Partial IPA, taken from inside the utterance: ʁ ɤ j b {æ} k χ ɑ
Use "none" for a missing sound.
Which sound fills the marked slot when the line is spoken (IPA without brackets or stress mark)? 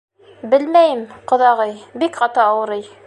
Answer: i